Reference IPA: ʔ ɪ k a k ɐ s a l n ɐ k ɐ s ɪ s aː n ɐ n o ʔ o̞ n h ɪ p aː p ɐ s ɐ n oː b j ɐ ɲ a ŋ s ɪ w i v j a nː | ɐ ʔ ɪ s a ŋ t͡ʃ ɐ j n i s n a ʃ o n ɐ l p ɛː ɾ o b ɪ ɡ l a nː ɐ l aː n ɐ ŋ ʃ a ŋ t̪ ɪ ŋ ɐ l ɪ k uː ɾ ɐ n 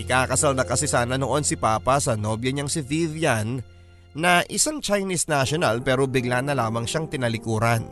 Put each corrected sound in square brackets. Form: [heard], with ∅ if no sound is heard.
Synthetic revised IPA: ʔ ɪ k a k ɐ s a l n ɐ k ɐ s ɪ s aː n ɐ n o ʔ o̞ n [s] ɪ p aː p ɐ s ɐ n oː b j ɐ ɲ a ŋ s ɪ [v] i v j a nː | ɐ ʔ ɪ s a ŋ t͡ʃ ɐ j n i s n a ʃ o n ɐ l p ɛː ɾ o b ɪ ɡ l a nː ɐ l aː [m] ɐ ŋ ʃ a ŋ t̪ ɪ [n] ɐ l ɪ k uː ɾ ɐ n